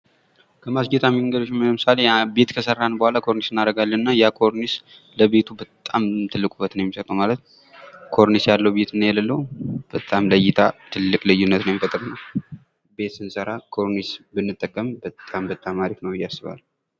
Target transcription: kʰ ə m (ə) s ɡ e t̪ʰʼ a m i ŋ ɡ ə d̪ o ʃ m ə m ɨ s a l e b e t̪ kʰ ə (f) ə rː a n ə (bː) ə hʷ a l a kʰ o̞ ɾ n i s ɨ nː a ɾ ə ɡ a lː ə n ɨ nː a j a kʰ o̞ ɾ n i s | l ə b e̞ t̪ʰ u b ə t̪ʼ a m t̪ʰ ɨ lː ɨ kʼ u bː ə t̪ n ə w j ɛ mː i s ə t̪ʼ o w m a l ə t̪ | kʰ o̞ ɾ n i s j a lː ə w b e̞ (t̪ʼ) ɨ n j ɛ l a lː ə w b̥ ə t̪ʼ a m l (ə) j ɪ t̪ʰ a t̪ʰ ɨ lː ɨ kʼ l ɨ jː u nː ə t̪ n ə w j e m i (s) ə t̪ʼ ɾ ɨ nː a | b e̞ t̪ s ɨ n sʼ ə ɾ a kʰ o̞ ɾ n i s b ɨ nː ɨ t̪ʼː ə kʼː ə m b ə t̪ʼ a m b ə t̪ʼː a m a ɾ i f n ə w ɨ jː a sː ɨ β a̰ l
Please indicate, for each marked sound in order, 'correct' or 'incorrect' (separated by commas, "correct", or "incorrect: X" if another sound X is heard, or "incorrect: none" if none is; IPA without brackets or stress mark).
incorrect: a, incorrect: s, incorrect: b, incorrect: t̪, correct, incorrect: f